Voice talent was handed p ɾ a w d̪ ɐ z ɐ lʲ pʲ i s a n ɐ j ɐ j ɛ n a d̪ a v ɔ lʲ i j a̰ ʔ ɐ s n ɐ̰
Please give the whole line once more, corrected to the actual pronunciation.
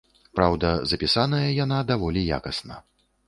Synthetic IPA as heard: p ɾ a w d̪ ɐ z ɐ pʲ i s a n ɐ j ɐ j a n a d̪ a v ɔ lʲ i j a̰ k ɐ s n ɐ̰